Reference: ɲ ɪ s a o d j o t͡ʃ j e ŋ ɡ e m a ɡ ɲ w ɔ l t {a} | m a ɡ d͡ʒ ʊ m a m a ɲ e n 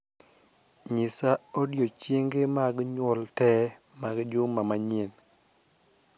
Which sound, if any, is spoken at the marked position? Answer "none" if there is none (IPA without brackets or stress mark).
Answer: ɛ